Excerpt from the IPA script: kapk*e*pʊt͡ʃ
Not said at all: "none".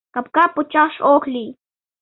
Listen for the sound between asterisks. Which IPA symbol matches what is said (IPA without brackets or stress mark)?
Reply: a